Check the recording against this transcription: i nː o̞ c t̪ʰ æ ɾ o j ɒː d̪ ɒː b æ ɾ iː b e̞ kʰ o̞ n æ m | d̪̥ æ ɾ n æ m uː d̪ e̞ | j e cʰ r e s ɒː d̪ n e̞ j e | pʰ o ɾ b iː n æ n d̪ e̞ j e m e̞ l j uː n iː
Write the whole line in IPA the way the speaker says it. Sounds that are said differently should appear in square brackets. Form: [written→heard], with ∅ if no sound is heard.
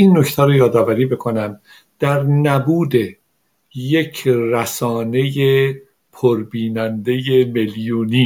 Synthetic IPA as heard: i nː o̞ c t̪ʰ æ ɾ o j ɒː d̪ ɒː [b→v] æ ɾ iː b e̞ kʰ o̞ n æ m | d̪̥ æ ɾ n æ [m→b] uː d̪ e̞ | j e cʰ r [e→æ] s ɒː [d̪→∅] n e̞ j e | pʰ o ɾ b iː n æ n d̪ e̞ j e m e̞ l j uː n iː